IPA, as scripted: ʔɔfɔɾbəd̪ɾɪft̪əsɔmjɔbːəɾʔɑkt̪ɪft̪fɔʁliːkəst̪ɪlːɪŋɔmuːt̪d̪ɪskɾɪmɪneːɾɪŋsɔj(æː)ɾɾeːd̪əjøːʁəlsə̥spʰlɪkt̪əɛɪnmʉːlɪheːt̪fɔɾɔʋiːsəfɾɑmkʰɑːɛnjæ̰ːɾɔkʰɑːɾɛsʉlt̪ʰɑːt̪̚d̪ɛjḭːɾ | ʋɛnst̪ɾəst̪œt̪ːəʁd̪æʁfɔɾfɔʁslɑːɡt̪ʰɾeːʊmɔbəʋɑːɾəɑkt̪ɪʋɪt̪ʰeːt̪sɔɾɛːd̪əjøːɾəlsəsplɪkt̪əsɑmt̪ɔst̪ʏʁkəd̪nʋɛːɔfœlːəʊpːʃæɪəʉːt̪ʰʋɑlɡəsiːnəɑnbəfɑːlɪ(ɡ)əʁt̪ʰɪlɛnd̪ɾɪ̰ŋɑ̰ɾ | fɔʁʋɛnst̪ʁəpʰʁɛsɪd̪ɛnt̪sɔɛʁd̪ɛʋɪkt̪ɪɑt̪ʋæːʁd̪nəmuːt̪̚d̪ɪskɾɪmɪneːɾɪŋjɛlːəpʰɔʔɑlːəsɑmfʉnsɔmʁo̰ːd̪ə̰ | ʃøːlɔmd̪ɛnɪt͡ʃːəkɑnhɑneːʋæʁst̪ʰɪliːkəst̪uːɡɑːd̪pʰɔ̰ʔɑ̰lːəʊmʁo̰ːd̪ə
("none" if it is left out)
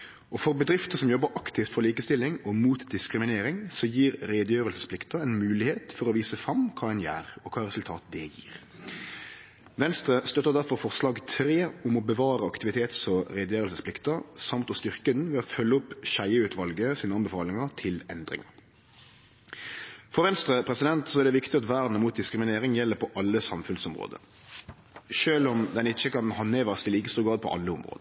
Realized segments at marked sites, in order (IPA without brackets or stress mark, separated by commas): iː, ŋ